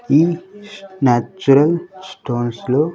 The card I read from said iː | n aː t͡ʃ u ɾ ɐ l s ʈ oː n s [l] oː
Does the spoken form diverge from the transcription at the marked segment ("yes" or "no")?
no